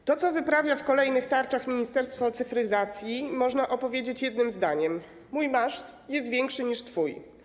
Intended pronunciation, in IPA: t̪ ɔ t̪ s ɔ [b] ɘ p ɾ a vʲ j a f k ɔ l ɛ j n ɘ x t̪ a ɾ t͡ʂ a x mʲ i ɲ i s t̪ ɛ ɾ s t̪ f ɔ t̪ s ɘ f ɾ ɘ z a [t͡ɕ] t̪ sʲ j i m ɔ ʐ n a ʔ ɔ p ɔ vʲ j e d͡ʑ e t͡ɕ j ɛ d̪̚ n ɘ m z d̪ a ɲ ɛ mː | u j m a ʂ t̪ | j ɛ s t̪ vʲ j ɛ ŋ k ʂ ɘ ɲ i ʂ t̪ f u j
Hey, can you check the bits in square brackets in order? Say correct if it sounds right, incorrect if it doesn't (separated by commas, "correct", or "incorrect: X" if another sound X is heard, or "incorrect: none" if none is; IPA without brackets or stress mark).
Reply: incorrect: v, incorrect: none